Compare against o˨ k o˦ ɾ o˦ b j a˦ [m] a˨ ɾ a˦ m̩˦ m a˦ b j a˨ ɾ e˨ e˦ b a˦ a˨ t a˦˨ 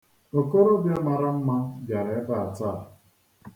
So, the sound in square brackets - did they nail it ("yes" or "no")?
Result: yes